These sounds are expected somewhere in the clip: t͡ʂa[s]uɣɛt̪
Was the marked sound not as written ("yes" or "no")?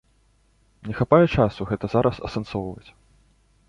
no